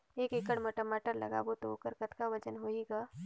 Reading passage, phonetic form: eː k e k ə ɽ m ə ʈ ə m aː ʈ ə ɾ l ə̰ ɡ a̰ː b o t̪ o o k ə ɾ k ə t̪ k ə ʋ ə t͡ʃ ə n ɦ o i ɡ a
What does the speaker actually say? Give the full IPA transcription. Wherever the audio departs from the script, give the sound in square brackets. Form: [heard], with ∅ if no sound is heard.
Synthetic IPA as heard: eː k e k ə ɽ m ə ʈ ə m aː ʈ ə ɾ l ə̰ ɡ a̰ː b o t̪ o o k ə ɾ k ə t̪ k [a] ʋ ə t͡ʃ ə n ɦ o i ɡ a